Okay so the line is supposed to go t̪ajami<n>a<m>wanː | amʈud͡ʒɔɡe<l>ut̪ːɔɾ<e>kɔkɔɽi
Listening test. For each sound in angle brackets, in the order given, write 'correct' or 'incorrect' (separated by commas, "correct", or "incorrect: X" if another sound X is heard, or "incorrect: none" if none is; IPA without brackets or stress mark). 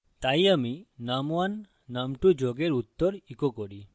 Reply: correct, correct, incorrect: ɾ, incorrect: i